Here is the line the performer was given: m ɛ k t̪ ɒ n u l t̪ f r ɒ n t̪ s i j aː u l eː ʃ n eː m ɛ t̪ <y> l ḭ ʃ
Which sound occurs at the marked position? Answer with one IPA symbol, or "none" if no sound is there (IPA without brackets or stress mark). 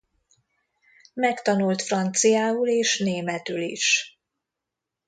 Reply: y